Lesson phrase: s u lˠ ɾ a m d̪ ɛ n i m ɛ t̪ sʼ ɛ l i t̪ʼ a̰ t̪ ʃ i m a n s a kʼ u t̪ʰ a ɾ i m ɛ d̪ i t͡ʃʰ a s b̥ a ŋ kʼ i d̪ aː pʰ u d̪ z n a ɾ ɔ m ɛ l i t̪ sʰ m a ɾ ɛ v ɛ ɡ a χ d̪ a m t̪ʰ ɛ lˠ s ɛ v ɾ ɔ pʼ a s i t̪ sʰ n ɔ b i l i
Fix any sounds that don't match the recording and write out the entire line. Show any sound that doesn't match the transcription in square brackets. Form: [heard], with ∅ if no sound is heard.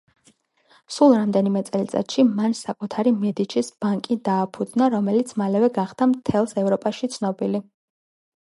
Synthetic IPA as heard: s u lˠ ɾ a m d̪ ɛ n i m ɛ t̪ sʼ ɛ l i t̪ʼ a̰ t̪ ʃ i m a n s a kʼ u t̪ʰ a ɾ i m ɛ d̪ i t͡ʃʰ [i] s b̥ a ŋ kʼ i d̪ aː pʰ u d̪ z n a ɾ ɔ m ɛ l i t̪ sʰ m a [l] ɛ v ɛ ɡ a χ d̪ a m t̪ʰ ɛ lˠ s ɛ v ɾ ɔ pʼ a [ʃ] i t̪ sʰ n ɔ b i l i

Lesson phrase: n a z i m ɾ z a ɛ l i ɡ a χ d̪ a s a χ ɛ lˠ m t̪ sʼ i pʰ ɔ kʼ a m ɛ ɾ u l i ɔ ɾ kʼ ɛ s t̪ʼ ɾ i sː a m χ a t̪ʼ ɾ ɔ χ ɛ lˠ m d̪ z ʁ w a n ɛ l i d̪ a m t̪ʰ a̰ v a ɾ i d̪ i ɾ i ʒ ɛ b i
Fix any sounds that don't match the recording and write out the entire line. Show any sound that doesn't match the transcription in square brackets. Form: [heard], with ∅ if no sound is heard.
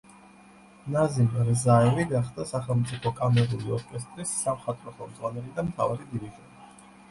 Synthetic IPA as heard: n a z i m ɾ z a ɛ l i ɡ a χ d̪ a s a χ ɛ lˠ m t̪ sʼ i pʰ ɔ kʼ a m ɛ ɾ u l i ɔ ɾ kʼ ɛ s t̪ʼ ɾ i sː a m χ a t̪ʼ ɾ ɔ χ ɛ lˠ m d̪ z ʁ w a n ɛ l i d̪ a m t̪ʰ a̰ v a ɾ i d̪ i ɾ i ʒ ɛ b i

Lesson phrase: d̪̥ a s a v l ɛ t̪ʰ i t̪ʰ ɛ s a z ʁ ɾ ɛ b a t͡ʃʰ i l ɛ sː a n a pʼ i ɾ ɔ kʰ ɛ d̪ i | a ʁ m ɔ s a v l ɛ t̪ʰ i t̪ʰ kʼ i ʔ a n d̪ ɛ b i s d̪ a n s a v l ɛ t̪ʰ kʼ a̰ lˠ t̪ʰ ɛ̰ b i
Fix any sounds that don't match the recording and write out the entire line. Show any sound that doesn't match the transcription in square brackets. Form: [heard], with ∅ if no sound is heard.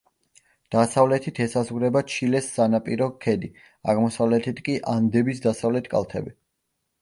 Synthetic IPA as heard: d̪̥ a s a v l ɛ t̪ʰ i t̪ʰ ɛ s a z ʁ ɾ ɛ b a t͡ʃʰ i l ɛ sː a n a pʼ i ɾ ɔ kʰ ɛ d̪ i | a ʁ m ɔ s a v l ɛ t̪ʰ i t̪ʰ kʼ i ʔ a n d̪ ɛ b i s d̪ a [∅] s a v l ɛ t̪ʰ kʼ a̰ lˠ t̪ʰ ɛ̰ b i

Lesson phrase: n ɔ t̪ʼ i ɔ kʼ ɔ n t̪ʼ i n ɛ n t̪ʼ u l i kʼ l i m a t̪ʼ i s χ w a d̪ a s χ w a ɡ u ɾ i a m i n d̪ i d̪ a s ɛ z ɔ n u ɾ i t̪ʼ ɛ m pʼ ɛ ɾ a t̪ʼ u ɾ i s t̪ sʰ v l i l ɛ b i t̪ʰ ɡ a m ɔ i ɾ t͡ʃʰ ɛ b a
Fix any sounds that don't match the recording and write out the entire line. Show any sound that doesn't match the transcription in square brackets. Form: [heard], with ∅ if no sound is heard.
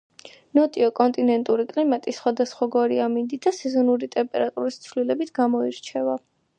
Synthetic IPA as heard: n ɔ t̪ʼ i ɔ kʼ ɔ n t̪ʼ i n ɛ n t̪ʼ u [ɾ] i kʼ l i m a t̪ʼ i s χ w a d̪ a s χ w a ɡ [ɔ] ɾ i a m i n d̪ i d̪ a s ɛ z ɔ n u ɾ i t̪ʼ ɛ m pʼ ɛ ɾ a t̪ʼ u ɾ i s t̪ sʰ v l i l ɛ b i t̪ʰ ɡ a m ɔ i ɾ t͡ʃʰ ɛ [v] a

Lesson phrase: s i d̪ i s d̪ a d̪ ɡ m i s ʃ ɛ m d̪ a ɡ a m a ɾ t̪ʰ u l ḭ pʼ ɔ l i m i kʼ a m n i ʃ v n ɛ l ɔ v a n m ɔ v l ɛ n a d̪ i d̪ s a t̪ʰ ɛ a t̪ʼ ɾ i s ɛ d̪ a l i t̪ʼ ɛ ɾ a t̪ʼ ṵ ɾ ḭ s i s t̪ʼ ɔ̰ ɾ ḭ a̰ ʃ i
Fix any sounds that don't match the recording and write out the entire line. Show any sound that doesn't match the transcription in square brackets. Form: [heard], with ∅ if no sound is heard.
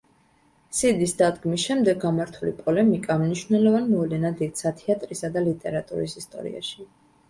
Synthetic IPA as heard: s i d̪ i s d̪ a d̪ ɡ m i s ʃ ɛ m d̪ [ɛ] ɡ a m a ɾ t̪ʰ u l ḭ pʼ ɔ l [ɛ] m i kʼ a m n i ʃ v n ɛ l ɔ v a n m ɔ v l ɛ n a d̪ i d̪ s a t̪ʰ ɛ a t̪ʼ ɾ i s [a] d̪ a l i t̪ʼ ɛ ɾ a t̪ʼ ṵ ɾ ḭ s i s t̪ʼ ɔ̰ ɾ ḭ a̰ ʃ i

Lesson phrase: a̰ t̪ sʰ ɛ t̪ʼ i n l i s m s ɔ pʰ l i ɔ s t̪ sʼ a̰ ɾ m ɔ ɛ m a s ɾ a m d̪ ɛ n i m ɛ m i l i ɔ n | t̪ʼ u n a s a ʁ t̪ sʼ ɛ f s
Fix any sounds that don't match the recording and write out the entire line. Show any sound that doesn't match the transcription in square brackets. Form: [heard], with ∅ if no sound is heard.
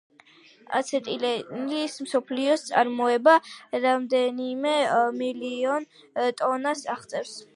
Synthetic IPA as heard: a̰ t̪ sʰ ɛ t̪ʼ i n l i s m s ɔ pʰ l i ɔ s t̪ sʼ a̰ ɾ m ɔ ɛ [b] a [∅] ɾ a m d̪ ɛ n i m ɛ m i l i ɔ n | t̪ʼ [ɔ] n a s a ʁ t̪ sʼ ɛ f s

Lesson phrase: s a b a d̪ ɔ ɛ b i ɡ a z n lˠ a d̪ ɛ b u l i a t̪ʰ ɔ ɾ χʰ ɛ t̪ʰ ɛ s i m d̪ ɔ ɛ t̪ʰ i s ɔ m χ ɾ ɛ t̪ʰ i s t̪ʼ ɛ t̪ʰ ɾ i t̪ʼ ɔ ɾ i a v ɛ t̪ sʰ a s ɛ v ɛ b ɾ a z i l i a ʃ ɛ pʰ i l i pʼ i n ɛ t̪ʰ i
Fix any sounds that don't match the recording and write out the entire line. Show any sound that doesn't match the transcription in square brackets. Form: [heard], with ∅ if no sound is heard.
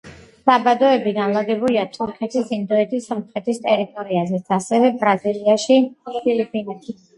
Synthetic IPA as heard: s a b a d̪ ɔ ɛ b i ɡ a [∅] n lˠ a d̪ ɛ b u l i a t̪ʰ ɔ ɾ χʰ ɛ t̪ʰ [i] s i [n] d̪ ɔ ɛ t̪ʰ i s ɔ m χ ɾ ɛ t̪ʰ i s t̪ʼ ɛ [∅] ɾ i t̪ʼ ɔ ɾ i a [z] ɛ t̪ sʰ a s ɛ v ɛ b ɾ a z i l i a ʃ [i] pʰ i l i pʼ i n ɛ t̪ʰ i

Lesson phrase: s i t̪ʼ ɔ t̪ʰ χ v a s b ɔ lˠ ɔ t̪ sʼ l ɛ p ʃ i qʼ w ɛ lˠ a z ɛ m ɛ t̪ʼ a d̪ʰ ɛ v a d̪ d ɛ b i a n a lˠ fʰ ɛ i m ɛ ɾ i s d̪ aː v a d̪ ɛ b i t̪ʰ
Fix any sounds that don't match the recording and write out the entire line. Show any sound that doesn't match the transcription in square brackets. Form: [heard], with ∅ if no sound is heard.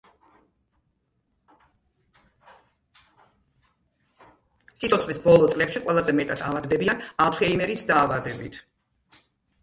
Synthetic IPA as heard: s i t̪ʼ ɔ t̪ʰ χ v [i] s b ɔ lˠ ɔ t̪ sʼ l ɛ p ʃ i qʼ w ɛ lˠ a z ɛ m ɛ t̪ʼ a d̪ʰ [a] v a d̪ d ɛ b i a n a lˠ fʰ ɛ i m ɛ ɾ i s d̪ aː v a d̪ ɛ b i t̪ʰ

